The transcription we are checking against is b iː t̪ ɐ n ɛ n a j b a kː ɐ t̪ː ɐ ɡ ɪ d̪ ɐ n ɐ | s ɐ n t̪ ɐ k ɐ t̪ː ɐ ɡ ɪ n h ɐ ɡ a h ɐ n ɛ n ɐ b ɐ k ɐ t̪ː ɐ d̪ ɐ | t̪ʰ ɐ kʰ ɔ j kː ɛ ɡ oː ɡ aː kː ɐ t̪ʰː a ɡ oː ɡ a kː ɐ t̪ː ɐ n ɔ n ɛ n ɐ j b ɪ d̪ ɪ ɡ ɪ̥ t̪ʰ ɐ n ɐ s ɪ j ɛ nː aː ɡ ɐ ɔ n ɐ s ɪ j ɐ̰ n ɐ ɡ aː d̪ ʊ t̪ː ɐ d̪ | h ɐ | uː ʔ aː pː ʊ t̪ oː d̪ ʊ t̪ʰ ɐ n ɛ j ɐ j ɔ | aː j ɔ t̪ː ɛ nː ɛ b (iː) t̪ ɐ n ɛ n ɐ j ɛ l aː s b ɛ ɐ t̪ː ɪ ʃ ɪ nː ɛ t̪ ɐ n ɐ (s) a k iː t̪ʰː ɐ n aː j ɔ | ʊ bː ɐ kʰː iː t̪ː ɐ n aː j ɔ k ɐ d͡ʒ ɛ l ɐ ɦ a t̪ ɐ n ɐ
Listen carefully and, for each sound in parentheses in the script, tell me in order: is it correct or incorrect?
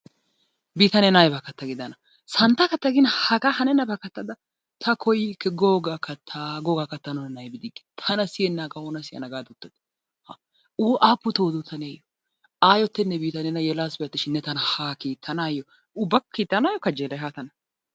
correct, incorrect: h

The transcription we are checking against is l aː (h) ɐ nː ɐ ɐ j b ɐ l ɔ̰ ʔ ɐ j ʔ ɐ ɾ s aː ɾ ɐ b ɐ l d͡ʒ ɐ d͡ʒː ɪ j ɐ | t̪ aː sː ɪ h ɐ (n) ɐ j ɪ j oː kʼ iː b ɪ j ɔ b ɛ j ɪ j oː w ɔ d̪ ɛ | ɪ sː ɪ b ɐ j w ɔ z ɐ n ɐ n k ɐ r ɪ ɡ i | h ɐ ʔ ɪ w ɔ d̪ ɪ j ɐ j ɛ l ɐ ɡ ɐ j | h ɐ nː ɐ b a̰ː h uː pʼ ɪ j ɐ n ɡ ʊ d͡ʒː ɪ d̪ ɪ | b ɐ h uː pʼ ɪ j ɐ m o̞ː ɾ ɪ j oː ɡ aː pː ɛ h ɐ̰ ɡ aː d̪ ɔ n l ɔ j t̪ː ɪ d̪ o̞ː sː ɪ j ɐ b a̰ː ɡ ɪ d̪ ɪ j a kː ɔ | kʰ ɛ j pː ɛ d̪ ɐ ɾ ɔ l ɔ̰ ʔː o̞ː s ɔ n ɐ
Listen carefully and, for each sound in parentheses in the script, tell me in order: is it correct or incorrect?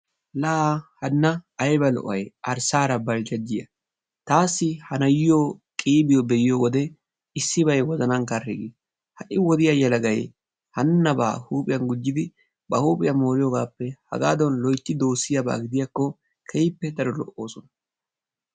correct, correct

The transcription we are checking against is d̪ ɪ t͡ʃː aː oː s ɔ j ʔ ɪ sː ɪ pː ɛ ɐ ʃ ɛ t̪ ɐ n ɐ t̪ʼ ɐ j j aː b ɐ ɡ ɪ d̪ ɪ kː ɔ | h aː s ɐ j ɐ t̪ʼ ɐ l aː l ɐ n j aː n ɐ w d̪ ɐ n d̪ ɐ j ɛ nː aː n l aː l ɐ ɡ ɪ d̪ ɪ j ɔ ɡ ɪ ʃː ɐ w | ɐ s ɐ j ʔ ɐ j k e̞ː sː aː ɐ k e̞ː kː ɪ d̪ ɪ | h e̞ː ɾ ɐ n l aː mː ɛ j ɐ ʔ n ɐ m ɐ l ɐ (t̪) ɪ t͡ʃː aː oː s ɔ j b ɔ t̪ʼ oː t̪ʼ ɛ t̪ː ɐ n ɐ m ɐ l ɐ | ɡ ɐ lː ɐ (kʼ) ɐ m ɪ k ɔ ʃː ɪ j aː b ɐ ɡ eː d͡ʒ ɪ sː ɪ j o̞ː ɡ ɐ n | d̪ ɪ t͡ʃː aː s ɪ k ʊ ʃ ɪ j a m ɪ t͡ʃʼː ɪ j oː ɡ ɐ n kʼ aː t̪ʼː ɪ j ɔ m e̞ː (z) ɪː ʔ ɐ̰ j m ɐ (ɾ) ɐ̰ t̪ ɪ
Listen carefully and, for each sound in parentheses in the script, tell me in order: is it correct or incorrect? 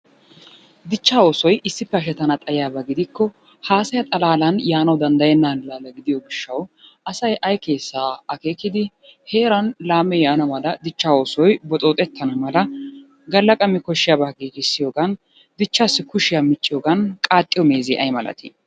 incorrect: d̪, correct, correct, incorrect: l

